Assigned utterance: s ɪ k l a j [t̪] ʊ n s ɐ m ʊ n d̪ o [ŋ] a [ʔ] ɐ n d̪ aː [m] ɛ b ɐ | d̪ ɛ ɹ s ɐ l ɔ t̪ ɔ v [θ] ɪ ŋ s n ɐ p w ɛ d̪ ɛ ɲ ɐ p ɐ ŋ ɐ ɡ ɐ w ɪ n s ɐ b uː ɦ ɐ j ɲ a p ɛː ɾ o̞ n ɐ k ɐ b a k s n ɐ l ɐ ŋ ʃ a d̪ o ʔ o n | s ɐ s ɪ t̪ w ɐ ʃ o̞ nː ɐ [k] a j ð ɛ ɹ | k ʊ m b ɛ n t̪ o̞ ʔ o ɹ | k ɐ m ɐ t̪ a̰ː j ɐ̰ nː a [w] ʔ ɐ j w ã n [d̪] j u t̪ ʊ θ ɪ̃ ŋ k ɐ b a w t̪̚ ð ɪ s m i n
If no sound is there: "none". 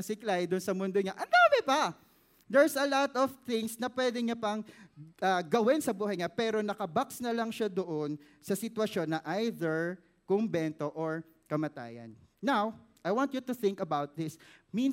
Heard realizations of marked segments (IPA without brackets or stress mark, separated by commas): d̪, ɲ, ʔ, m, θ, ʔ, w, t̪